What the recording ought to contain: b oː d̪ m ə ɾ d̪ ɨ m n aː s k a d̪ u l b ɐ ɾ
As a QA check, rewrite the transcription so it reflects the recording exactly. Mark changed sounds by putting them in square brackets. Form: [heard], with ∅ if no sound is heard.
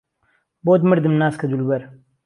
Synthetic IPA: b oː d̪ m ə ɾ d̪ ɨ m n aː s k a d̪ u l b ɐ ɾ